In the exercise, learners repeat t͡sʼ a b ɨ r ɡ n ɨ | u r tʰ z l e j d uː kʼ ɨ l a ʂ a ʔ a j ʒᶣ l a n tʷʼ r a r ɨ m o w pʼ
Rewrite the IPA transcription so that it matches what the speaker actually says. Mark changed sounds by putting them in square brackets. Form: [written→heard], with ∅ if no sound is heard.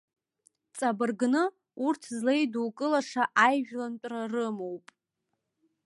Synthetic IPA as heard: t͡sʼ a b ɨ r ɡ n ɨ | u r tʰ z l e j d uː kʼ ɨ l a ʂ a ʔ a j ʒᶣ l a n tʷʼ r a r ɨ m o w pʼ